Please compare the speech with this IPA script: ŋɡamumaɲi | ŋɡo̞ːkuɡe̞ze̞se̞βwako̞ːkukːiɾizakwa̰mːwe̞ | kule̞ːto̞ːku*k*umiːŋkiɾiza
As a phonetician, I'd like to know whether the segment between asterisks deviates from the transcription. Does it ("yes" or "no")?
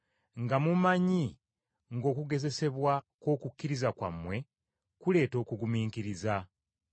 yes